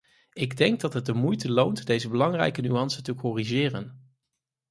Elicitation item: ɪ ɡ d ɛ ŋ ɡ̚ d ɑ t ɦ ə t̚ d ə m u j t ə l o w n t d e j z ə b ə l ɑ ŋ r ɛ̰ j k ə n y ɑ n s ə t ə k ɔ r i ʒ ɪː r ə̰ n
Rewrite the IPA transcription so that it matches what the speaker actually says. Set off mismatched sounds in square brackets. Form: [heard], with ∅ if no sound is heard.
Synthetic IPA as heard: ɪ ɡ d ɛ ŋ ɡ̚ d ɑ t ɦ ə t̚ d ə m u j t ə l o w n t d e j z ə b ə l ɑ ŋ r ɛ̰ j k ə n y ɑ n s ə t ə k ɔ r i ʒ ɪː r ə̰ n